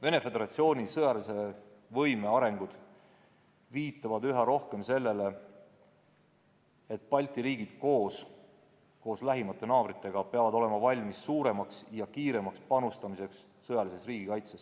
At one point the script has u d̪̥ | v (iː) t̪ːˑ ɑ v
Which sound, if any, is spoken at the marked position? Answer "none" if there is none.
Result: iː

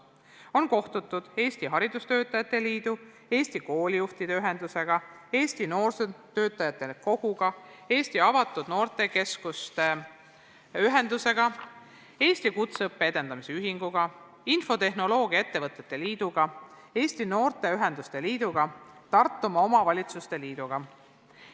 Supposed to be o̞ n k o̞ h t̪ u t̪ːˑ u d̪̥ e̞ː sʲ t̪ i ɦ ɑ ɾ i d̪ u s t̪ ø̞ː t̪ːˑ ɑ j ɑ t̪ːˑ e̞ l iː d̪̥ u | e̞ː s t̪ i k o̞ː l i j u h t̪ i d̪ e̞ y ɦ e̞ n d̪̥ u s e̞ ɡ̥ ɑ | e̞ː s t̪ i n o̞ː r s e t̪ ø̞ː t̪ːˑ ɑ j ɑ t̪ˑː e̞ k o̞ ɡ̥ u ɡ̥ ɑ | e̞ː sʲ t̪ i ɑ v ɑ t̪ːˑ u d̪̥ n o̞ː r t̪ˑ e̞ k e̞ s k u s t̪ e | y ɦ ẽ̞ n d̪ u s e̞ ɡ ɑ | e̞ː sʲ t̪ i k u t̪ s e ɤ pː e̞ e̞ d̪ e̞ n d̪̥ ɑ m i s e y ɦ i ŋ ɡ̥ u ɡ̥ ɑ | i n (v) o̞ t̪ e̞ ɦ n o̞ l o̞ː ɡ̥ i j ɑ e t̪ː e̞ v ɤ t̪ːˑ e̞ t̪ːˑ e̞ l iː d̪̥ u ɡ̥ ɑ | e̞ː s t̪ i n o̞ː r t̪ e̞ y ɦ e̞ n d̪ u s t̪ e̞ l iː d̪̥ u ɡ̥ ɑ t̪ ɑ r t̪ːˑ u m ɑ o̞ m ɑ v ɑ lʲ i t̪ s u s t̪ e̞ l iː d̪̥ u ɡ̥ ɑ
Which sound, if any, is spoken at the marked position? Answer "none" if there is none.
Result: f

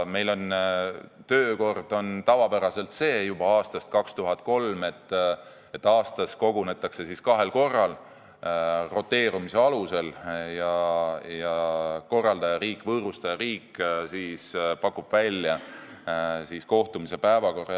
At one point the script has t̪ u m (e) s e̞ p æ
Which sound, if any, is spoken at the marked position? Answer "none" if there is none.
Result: i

